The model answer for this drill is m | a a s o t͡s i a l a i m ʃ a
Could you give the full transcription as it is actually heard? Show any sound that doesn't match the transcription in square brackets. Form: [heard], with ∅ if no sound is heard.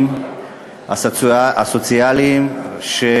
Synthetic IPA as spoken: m | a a s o t͡s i a l [i] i m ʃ [e]